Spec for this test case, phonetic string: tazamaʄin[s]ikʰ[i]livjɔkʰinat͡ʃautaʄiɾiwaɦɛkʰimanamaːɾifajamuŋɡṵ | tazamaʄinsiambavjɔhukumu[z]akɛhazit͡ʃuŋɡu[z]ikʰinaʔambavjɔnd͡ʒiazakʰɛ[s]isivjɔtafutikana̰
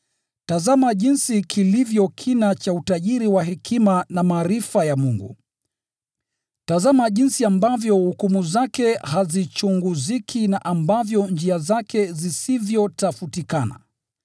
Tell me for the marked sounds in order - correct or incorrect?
correct, correct, correct, correct, incorrect

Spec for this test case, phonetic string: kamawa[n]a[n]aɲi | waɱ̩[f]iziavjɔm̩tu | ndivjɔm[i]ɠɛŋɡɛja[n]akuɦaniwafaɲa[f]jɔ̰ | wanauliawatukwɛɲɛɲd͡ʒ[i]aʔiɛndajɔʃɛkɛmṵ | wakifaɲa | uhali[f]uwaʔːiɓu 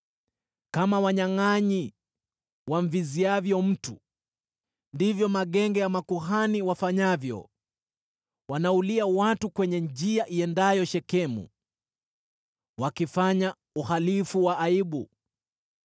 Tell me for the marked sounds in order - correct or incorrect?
incorrect, incorrect, incorrect, incorrect, incorrect, incorrect, correct, correct

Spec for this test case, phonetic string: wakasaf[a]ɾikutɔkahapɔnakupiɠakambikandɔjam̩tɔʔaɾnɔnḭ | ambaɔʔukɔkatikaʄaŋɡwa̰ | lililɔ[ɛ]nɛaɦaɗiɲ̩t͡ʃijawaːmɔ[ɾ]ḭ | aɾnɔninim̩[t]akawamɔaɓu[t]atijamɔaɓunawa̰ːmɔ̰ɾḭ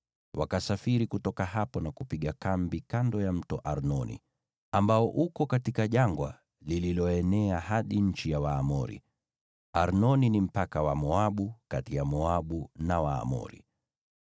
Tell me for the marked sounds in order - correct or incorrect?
incorrect, correct, correct, incorrect, incorrect

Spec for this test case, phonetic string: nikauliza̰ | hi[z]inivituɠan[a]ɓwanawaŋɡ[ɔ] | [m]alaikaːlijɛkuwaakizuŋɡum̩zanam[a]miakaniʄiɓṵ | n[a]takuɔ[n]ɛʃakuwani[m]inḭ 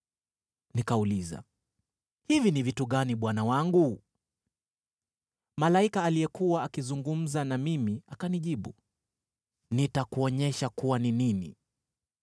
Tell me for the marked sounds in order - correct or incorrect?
incorrect, incorrect, incorrect, correct, incorrect, incorrect, incorrect, incorrect

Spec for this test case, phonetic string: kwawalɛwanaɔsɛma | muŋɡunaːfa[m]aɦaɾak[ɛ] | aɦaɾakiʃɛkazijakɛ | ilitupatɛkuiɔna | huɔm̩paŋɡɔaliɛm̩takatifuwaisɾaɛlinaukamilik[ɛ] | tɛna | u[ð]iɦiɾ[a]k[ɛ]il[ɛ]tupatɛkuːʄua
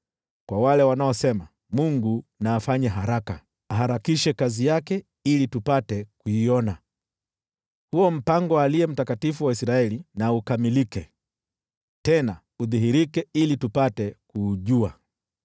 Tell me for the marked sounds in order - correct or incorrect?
incorrect, incorrect, correct, correct, incorrect, correct, incorrect

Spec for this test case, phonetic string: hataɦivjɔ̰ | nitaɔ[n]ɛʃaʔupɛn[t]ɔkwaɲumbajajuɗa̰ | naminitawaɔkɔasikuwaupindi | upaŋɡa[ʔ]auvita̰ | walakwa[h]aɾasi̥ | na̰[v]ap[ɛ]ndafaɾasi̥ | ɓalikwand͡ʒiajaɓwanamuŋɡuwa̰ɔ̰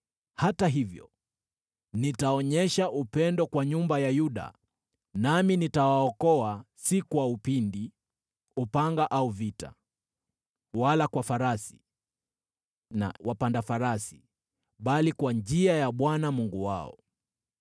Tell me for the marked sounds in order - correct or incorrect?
incorrect, incorrect, correct, incorrect, incorrect, incorrect

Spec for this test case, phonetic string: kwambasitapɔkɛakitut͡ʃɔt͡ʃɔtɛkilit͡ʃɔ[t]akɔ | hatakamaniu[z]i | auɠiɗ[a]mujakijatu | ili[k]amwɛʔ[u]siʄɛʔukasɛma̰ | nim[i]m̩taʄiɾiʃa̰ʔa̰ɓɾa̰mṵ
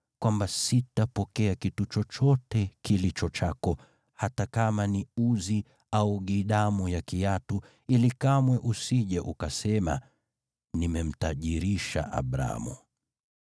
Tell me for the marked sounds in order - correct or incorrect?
incorrect, correct, correct, correct, correct, incorrect

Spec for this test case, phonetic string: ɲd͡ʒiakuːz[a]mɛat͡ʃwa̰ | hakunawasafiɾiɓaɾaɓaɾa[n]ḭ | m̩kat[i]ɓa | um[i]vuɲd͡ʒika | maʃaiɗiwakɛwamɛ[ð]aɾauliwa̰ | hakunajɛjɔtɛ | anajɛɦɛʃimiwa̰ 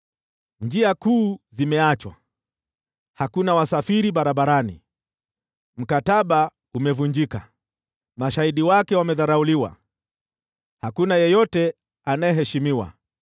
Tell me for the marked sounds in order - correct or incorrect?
incorrect, correct, incorrect, incorrect, correct

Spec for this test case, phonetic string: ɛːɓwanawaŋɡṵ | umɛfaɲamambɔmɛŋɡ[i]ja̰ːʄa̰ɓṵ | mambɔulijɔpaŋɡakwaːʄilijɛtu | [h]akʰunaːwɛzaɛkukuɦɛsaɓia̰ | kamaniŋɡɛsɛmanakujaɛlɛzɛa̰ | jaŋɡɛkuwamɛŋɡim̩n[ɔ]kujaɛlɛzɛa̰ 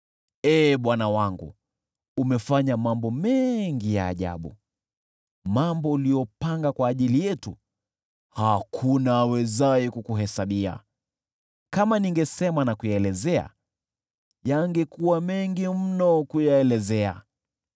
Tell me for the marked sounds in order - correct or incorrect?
correct, correct, correct

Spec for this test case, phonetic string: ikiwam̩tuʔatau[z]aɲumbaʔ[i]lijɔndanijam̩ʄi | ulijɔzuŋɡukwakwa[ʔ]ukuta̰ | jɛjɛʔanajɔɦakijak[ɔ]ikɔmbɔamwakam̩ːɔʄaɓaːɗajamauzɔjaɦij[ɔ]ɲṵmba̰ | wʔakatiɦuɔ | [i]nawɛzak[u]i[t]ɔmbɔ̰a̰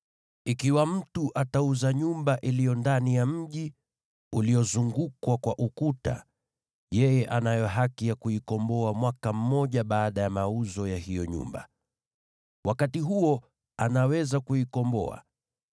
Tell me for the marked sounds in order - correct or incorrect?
correct, correct, correct, incorrect, correct, incorrect, correct, incorrect

